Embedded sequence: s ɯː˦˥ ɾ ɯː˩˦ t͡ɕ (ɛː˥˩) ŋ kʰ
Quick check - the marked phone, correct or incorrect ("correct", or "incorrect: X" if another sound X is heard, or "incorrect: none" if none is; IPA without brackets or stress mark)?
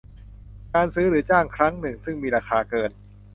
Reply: incorrect: aː˥˩